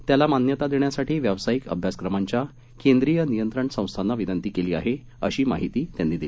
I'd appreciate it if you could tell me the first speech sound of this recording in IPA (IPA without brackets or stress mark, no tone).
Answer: t̪